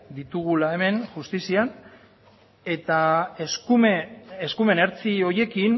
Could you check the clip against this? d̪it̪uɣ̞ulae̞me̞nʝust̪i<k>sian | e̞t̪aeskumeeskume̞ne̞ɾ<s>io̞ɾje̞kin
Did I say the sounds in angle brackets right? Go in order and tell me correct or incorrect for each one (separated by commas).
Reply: incorrect, incorrect